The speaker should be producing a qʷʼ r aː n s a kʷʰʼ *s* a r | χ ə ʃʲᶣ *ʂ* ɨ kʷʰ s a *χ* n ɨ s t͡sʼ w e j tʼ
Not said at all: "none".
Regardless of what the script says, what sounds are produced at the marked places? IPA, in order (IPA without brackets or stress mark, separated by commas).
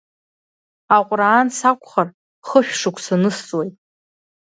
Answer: χ, ʂ, none